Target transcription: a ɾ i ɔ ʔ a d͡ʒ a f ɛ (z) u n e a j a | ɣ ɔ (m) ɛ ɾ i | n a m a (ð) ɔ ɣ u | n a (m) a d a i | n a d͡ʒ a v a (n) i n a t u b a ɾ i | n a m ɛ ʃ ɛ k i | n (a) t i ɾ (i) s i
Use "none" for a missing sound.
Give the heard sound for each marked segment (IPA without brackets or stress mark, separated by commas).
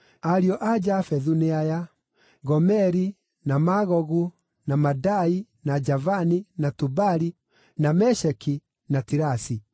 ð, m, ɣ, m, n, a, a